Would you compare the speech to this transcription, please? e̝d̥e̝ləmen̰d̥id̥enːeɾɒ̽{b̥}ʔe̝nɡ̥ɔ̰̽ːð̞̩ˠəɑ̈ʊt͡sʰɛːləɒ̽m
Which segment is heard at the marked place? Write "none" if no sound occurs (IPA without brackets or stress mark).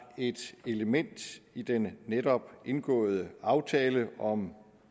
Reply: b̥